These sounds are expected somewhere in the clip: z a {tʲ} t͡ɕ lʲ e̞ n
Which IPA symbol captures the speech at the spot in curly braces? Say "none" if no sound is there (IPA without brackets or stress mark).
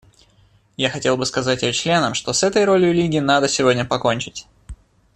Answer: tʲ